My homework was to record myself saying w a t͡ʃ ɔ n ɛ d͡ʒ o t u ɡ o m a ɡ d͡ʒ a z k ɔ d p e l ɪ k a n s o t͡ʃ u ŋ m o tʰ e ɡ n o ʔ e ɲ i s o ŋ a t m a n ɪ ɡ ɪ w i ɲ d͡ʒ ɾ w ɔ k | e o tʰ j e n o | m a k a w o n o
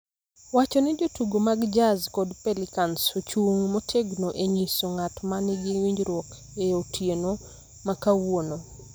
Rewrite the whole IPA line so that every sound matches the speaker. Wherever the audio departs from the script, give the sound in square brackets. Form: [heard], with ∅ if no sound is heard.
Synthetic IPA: w a t͡ʃ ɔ n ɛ d͡ʒ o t u ɡ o m a ɡ d͡ʒ a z k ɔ d p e l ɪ k a n s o t͡ʃ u ŋ m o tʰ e ɡ n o ʔ e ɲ i s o ŋ a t m a n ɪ ɡ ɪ w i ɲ d͡ʒ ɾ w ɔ k | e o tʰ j e n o | m a k a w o n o